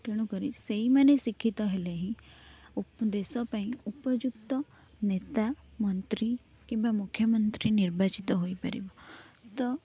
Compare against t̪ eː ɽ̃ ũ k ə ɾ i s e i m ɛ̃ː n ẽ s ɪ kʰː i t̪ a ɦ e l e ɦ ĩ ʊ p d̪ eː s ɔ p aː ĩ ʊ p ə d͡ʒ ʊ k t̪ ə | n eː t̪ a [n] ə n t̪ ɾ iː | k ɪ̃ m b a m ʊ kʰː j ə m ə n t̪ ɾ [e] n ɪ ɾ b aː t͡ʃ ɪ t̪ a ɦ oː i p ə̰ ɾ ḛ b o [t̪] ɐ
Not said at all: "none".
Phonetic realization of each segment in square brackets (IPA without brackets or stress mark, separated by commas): m, i, t̪